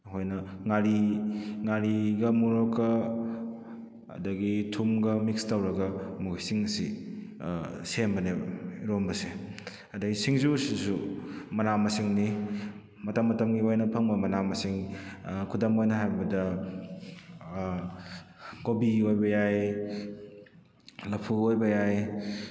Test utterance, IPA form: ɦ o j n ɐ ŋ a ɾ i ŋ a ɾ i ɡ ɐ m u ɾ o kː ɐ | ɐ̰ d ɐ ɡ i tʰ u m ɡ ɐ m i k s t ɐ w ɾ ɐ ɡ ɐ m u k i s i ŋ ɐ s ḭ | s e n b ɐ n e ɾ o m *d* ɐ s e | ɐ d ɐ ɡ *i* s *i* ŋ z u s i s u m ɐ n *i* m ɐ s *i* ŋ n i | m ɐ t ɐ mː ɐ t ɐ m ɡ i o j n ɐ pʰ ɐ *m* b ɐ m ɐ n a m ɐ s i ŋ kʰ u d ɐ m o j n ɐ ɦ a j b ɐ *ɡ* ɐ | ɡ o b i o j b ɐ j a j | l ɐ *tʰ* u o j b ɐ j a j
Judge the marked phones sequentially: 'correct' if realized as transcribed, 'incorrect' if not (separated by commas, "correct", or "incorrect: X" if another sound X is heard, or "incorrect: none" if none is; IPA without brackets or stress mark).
incorrect: b, correct, correct, incorrect: a, correct, incorrect: ŋ, incorrect: d, incorrect: pʰ